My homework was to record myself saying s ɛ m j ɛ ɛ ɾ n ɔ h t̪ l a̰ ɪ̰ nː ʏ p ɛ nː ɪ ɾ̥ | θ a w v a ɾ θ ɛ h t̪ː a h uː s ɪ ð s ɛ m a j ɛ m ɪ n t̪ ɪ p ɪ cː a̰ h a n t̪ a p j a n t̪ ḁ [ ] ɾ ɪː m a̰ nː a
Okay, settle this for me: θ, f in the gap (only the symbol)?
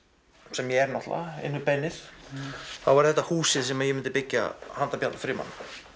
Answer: f